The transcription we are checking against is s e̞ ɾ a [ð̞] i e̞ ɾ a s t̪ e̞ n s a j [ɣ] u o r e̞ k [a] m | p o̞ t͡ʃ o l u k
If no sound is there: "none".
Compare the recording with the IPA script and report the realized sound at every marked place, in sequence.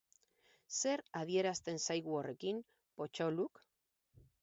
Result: ð̞, ɣ, i

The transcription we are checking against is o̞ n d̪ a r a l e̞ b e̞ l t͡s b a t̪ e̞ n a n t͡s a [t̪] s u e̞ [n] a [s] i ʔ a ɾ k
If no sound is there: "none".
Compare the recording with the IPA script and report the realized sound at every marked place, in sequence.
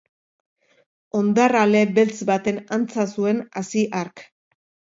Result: none, n, s

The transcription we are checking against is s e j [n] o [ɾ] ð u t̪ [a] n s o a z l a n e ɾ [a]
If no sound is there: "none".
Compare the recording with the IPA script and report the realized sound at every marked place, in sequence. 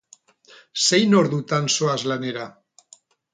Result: n, ɾ, a, a

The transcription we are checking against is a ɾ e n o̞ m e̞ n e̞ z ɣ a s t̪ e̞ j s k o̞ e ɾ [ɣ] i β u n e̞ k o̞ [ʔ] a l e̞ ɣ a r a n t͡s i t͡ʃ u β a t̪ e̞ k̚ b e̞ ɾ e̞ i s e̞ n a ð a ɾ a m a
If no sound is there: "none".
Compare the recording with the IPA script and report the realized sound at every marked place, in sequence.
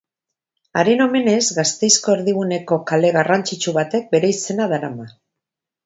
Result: ð, k

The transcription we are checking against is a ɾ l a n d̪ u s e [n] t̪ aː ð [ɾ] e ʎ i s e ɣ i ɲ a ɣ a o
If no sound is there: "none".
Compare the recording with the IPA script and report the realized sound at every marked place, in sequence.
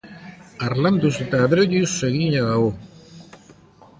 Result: none, ɾ

